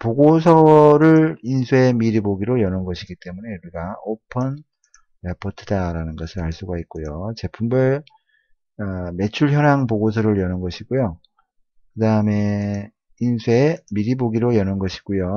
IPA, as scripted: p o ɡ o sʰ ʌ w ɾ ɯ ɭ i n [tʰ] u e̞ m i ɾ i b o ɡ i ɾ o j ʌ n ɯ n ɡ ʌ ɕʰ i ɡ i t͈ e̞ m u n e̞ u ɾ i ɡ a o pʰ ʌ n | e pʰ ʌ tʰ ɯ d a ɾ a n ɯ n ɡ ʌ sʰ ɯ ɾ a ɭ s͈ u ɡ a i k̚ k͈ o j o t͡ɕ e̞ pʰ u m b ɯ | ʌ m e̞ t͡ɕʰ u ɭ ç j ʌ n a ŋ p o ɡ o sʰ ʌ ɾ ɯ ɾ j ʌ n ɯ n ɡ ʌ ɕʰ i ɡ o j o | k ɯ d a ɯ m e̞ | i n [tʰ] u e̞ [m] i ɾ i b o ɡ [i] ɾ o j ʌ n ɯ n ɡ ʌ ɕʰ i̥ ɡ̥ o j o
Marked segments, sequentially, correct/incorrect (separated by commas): incorrect, incorrect, correct, correct